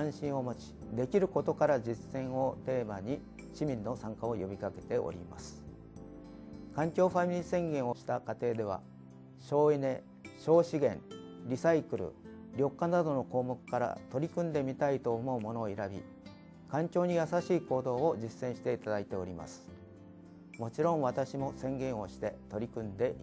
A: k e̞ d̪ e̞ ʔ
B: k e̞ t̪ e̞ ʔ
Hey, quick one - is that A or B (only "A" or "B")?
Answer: B